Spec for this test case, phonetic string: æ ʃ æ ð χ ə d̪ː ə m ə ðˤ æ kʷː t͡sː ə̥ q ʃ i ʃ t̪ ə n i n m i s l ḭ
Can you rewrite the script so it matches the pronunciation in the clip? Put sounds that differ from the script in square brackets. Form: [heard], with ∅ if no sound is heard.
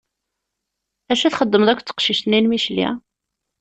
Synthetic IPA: æ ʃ æ [θ] χ ə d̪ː ə m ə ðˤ æ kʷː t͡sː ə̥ q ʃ i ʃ t̪ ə n i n m i [ʃ] l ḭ